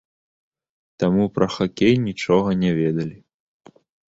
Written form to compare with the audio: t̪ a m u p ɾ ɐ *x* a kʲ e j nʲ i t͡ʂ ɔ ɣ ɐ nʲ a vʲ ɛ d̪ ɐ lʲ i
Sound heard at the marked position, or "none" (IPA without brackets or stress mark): x